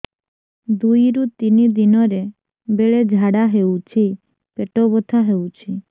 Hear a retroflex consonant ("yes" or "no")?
yes